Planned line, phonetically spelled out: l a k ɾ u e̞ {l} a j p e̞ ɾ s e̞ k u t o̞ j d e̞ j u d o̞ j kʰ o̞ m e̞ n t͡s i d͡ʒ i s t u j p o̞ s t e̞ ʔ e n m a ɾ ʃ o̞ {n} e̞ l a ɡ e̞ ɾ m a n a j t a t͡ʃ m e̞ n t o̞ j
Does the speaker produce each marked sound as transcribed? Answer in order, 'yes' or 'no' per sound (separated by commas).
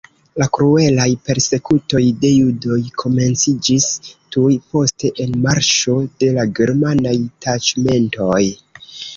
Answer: yes, no